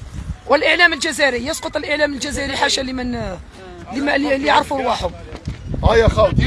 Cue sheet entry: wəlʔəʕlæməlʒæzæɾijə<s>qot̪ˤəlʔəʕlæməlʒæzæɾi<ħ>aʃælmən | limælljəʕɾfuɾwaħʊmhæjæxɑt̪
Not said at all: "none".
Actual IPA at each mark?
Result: s, ħ

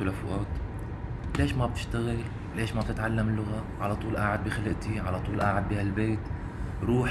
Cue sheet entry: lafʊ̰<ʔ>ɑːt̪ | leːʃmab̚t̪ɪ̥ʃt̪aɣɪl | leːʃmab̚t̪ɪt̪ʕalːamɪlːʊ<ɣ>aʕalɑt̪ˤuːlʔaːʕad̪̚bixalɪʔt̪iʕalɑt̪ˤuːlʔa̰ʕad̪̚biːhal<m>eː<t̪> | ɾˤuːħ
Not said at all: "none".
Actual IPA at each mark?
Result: ʔ, ɣ, b, t̪

